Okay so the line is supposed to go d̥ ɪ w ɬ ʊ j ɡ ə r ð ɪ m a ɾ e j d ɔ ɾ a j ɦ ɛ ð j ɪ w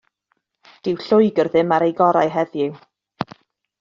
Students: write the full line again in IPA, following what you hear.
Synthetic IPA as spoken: d̥ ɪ w ɬ ʊ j ɡ ə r ð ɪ m a ɾ e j ɡ ɔ ɾ a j ɦ ɛ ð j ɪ w